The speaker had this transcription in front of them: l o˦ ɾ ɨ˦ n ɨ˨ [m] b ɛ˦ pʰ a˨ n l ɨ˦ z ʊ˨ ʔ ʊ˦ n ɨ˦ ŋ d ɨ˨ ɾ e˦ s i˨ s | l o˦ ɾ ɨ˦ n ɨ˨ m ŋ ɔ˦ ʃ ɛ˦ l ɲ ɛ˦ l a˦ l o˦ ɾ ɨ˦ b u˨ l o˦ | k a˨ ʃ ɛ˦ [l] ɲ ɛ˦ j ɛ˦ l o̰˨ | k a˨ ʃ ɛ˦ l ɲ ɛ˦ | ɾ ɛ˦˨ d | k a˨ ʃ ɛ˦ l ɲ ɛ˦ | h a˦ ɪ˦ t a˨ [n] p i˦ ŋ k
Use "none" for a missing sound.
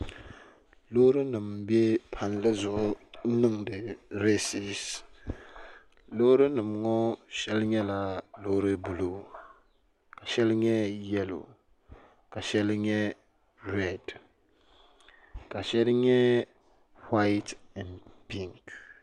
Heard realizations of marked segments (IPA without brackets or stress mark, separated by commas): m, l, n